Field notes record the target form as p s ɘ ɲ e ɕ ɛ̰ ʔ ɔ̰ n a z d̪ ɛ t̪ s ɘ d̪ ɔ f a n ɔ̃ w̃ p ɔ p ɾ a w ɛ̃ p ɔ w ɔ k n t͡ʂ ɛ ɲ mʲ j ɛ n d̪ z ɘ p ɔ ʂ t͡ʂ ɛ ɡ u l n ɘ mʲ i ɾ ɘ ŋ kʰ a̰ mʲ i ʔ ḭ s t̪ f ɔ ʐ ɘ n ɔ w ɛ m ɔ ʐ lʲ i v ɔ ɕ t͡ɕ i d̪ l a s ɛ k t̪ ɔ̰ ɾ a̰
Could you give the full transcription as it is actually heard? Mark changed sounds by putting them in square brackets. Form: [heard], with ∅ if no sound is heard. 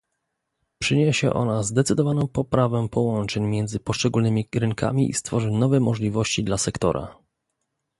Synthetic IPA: p [ʂ] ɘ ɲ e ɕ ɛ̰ ʔ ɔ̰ n a z d̪ ɛ t̪ s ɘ d̪ ɔ [v] a n ɔ̃ w̃ p ɔ p ɾ a [v] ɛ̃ p ɔ w ɔ [∅] n t͡ʂ ɛ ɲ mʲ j ɛ n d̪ z ɘ p ɔ ʂ t͡ʂ ɛ ɡ u l n ɘ mʲ i ɾ ɘ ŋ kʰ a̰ mʲ i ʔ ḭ s t̪ f ɔ ʐ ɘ n ɔ [v] ɛ m ɔ ʐ lʲ i v ɔ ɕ t͡ɕ i d̪ l a s ɛ k t̪ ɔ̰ ɾ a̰